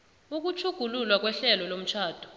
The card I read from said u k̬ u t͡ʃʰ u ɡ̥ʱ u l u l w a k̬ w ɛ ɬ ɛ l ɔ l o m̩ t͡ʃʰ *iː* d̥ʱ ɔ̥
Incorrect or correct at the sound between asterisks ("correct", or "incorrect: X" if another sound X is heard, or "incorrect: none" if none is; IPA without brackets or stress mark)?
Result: incorrect: aː